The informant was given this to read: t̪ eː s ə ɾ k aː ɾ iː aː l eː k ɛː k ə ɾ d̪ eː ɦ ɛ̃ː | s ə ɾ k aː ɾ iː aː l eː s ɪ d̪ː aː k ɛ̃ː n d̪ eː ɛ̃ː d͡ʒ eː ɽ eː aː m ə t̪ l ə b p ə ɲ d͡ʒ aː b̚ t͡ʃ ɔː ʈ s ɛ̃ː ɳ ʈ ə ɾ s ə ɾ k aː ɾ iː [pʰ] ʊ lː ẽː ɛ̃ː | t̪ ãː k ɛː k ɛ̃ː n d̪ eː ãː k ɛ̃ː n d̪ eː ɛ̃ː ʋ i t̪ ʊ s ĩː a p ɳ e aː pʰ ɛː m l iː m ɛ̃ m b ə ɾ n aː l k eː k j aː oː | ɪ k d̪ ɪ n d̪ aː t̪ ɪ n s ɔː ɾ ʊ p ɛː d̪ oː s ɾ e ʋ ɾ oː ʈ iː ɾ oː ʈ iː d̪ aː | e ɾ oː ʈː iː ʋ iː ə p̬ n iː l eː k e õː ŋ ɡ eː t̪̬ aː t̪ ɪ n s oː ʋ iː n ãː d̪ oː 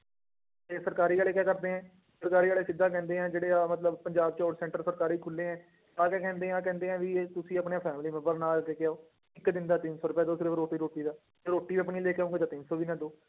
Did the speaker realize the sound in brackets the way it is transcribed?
no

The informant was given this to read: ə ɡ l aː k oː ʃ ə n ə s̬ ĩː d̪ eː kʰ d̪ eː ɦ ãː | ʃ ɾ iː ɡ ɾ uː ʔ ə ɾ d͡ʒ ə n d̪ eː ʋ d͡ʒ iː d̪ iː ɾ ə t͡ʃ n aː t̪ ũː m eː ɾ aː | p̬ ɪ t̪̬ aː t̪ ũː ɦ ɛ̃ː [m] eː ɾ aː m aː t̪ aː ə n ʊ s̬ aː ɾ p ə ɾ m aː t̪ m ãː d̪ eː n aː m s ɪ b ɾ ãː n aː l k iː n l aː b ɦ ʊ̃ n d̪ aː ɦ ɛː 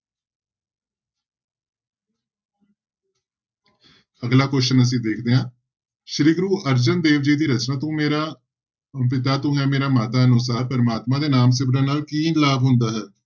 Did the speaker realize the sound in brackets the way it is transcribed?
yes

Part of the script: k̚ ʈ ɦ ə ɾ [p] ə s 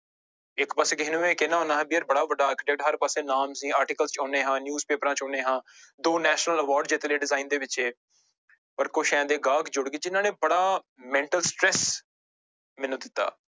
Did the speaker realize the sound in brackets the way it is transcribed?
yes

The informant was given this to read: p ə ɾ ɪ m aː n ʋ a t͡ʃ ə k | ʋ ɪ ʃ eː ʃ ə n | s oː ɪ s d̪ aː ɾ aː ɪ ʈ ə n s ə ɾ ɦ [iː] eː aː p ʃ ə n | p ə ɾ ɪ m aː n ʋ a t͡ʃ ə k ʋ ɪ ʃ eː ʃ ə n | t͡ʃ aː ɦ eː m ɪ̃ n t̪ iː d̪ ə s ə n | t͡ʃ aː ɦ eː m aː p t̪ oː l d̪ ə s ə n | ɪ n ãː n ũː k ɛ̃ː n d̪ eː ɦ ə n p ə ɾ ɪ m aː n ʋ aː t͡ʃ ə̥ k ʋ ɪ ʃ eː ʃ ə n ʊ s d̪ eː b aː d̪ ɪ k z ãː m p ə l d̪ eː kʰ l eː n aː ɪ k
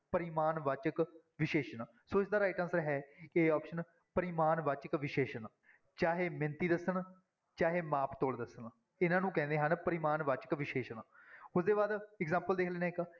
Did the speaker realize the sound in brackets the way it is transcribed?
no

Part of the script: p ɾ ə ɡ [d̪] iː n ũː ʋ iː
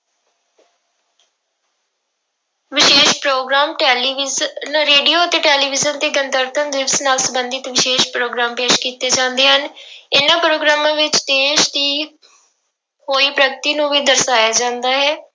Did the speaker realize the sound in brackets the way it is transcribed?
no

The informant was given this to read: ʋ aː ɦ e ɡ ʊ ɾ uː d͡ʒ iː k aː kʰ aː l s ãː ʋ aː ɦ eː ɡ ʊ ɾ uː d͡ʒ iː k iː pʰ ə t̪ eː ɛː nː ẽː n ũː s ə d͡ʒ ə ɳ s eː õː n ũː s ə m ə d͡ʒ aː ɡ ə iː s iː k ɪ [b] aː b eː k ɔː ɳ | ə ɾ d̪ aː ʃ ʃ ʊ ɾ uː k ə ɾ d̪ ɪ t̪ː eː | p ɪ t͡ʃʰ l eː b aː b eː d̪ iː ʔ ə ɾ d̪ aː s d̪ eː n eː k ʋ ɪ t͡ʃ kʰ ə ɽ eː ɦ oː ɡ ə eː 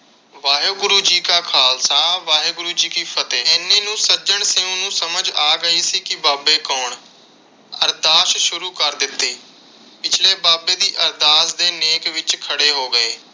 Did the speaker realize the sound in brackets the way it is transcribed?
yes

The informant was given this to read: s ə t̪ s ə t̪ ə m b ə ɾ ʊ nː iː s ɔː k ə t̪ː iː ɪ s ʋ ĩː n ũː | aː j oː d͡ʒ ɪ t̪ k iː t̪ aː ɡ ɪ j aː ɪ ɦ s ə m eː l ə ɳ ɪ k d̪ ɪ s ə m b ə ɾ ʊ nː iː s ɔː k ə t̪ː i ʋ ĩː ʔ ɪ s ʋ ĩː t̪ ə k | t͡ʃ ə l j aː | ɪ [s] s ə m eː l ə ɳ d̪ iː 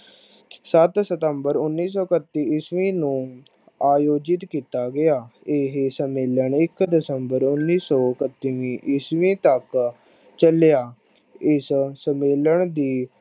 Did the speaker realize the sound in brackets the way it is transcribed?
yes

